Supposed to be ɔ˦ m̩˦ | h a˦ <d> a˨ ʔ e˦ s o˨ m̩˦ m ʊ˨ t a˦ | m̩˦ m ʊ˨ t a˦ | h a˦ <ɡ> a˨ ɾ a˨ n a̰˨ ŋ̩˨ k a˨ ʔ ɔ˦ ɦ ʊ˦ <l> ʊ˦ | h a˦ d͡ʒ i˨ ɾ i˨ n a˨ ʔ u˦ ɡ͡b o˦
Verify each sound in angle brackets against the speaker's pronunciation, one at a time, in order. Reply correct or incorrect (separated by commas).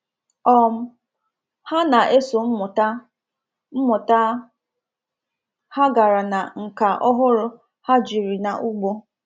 incorrect, correct, incorrect